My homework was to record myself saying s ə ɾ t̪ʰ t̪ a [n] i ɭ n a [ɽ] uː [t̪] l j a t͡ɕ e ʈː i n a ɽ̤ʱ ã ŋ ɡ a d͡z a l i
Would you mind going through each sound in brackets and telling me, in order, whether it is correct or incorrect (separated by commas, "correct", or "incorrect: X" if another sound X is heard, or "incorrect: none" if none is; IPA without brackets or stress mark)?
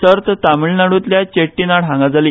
incorrect: m, correct, correct